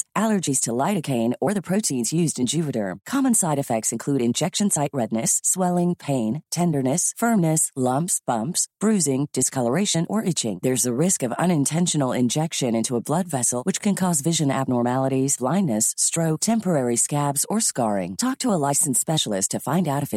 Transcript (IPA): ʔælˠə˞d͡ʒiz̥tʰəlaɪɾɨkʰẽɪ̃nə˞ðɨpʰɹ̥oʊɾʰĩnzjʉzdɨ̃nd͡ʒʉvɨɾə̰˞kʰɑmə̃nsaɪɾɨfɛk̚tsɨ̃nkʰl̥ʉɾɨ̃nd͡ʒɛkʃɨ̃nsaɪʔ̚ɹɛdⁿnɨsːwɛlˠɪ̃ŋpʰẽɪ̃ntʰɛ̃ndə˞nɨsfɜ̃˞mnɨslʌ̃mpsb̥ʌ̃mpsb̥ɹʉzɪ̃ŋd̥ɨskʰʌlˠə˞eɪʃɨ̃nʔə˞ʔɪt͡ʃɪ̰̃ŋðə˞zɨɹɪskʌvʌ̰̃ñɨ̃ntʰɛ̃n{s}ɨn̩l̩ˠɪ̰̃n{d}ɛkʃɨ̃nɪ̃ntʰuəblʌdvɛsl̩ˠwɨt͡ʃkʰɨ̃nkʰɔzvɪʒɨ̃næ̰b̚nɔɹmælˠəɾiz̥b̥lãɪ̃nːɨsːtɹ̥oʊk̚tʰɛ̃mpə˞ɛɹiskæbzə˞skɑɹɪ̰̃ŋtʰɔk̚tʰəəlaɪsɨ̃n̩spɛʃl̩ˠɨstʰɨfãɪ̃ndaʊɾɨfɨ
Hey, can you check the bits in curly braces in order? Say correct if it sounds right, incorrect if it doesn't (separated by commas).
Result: incorrect, incorrect